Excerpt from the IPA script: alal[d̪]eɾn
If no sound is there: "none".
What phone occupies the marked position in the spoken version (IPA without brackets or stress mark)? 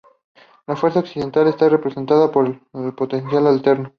t̪